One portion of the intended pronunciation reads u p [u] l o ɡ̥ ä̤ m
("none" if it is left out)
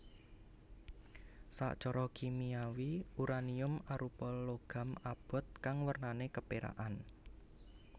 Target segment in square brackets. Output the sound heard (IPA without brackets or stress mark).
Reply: ɔ